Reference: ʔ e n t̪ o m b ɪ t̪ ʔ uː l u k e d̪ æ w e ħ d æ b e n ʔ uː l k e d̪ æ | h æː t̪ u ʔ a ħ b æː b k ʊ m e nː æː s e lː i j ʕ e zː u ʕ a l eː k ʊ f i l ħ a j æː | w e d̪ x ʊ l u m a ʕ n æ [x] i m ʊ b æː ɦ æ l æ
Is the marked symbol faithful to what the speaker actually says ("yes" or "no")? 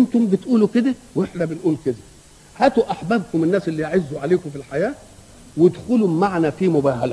no